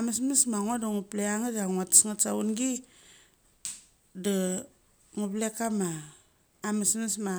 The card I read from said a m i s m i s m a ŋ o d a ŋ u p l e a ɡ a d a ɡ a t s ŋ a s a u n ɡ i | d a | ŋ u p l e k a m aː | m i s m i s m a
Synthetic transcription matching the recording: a m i s m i s m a ŋ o d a ŋ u p l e a ŋ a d a ŋ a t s ŋ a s a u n ɡ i | d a | ŋ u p l e k a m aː | m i s m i s m a